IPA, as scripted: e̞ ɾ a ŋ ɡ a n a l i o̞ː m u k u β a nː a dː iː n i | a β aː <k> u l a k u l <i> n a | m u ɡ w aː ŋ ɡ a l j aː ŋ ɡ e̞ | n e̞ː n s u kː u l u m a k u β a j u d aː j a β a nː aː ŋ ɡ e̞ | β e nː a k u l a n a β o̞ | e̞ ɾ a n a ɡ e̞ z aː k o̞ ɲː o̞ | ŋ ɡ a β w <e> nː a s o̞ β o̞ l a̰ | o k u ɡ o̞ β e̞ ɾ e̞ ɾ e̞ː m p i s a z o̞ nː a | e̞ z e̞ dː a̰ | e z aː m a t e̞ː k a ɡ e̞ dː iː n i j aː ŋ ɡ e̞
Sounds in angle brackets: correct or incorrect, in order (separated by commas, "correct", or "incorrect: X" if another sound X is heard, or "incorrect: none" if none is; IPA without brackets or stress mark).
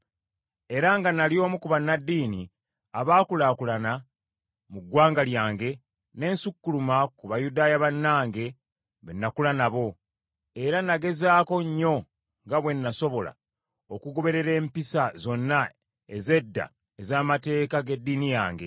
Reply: correct, incorrect: a, correct